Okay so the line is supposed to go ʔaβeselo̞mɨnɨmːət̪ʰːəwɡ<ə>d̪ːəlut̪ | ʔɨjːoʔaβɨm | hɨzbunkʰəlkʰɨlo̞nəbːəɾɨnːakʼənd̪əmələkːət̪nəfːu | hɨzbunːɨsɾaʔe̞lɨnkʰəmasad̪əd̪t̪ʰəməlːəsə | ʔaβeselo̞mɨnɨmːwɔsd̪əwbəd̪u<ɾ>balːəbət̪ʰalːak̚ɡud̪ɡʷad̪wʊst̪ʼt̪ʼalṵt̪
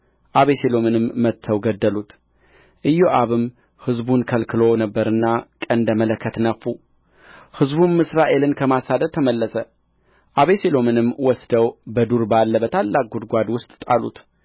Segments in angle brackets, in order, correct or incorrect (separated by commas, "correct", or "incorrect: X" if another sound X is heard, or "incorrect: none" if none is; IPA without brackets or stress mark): correct, correct